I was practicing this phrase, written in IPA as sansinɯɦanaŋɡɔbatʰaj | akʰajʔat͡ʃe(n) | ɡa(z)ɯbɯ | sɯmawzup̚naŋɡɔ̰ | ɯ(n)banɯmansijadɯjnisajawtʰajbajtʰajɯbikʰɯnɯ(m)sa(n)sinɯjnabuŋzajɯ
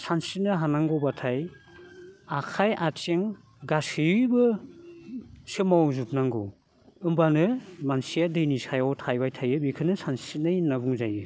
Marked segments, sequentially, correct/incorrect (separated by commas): incorrect, incorrect, incorrect, incorrect, correct